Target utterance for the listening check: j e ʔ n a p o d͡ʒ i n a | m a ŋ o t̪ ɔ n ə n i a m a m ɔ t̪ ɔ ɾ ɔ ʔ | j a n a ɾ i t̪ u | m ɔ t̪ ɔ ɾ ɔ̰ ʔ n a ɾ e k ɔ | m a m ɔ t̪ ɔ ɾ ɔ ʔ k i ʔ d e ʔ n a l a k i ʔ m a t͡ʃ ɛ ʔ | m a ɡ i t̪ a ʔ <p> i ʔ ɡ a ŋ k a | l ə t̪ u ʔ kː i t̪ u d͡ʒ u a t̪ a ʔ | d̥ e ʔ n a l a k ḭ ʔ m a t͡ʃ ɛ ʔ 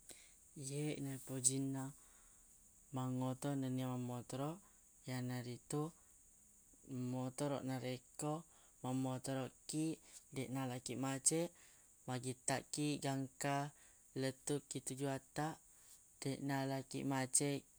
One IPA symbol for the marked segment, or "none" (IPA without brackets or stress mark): k